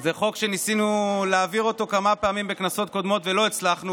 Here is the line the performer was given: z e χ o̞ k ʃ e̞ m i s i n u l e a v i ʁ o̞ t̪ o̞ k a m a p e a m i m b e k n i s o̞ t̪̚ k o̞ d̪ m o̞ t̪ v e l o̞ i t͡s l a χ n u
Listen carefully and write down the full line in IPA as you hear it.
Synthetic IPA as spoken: z e χ o̞ k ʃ e̞ n i s i n u l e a v i ʁ o̞ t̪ o̞ k a m a p e a m i m b e k n a s o̞ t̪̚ k o̞ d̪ m o̞ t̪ v e l o̞ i t͡s l a χ n u